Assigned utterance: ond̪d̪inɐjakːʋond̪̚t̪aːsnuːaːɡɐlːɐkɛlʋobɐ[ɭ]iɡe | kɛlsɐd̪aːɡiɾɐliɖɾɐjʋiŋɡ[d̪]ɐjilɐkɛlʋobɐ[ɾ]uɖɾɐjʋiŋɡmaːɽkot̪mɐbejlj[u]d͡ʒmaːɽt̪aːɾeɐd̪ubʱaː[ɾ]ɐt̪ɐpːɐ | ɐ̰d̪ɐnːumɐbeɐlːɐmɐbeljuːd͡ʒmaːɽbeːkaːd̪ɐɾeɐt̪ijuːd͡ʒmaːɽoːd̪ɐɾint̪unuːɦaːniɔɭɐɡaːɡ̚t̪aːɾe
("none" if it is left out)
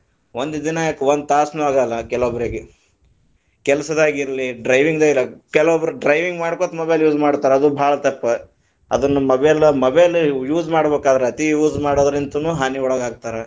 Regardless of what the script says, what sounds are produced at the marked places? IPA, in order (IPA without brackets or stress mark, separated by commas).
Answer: ɾ, d̪, ɾ, uː, ɭ